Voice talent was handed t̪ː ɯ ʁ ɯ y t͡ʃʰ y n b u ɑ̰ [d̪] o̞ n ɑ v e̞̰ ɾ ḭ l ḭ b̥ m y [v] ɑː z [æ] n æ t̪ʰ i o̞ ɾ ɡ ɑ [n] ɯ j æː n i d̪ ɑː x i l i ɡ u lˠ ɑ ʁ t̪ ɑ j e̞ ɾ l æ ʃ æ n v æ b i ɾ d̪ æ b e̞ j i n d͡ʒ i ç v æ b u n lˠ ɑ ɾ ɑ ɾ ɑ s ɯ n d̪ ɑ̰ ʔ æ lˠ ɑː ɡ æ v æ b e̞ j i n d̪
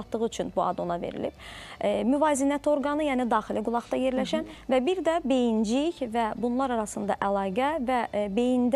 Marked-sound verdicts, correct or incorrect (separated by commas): correct, correct, incorrect, correct